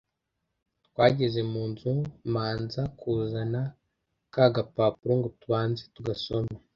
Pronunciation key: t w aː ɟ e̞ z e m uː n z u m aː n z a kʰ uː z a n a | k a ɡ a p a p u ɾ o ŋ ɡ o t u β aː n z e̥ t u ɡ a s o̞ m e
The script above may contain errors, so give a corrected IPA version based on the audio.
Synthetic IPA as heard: t w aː ɟ e̞ z e m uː n z u m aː n z a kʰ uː z a n a | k a ɡ a p a p u ɾ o ŋ ɡ o t u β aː n z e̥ t u ɡ a s o̞ m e